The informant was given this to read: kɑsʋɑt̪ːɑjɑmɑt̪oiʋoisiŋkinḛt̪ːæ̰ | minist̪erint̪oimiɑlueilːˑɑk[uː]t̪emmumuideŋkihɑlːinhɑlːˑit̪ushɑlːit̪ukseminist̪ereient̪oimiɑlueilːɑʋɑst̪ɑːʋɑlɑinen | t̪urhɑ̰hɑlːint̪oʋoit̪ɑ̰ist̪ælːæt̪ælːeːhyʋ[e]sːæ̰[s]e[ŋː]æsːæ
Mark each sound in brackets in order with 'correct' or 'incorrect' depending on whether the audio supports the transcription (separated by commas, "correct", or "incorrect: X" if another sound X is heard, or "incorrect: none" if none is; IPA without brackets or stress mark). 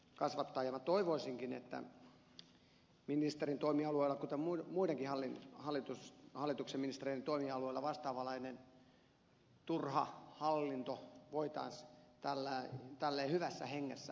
incorrect: u, incorrect: æ, incorrect: h, correct